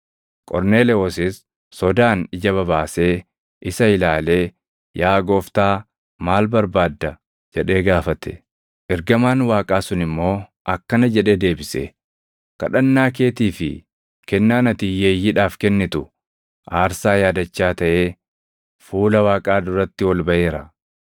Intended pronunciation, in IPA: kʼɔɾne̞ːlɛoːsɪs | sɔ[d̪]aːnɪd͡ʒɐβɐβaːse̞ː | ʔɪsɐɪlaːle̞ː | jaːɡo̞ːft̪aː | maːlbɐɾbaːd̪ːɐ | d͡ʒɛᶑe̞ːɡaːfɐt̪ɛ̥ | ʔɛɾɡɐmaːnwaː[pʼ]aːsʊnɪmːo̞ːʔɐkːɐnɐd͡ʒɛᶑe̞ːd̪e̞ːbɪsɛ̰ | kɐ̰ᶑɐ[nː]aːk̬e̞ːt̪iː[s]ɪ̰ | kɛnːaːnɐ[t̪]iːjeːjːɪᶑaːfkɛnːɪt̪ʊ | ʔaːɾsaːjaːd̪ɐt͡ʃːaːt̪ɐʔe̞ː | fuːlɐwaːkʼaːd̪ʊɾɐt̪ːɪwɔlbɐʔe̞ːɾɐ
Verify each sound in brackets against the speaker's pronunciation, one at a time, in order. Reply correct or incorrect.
correct, incorrect, correct, incorrect, correct

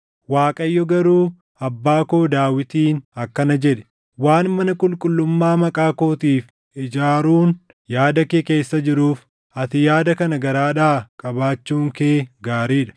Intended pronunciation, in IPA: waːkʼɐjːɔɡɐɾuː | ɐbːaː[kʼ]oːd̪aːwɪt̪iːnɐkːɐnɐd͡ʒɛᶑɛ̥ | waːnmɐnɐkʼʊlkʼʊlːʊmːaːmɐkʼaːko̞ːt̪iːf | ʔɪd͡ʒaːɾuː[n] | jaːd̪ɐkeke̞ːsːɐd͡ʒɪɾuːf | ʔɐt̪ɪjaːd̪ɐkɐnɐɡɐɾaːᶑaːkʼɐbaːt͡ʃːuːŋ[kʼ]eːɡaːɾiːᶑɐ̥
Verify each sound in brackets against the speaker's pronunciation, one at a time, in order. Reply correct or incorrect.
incorrect, correct, incorrect

